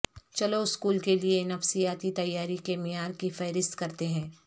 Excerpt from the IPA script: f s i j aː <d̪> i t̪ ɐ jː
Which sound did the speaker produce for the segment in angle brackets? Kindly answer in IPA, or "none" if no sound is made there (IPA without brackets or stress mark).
t̪